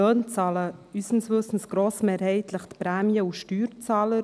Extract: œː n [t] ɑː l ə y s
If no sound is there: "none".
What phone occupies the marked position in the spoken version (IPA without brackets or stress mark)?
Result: t͡s